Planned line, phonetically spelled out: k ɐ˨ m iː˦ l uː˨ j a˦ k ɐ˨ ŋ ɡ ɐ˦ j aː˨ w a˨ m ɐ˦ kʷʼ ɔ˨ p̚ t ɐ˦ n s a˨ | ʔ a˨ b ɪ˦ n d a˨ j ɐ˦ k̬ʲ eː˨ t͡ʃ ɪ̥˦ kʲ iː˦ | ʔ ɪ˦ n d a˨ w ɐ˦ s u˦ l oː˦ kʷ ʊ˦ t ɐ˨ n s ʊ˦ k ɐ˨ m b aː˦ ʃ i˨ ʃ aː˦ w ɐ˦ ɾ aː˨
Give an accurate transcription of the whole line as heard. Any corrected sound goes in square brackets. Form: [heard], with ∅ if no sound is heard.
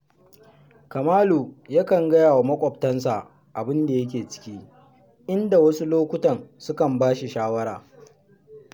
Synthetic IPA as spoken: k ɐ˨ m [aː˦] l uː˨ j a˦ k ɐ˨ ŋ ɡ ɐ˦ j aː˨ w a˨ m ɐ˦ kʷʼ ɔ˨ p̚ t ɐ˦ n s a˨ | ʔ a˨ b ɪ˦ n d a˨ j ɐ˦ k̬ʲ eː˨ t͡ʃ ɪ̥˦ kʲ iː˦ | ʔ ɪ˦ n d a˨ w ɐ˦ s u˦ l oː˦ kʷ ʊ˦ t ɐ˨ n s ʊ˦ k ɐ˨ m b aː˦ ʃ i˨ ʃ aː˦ w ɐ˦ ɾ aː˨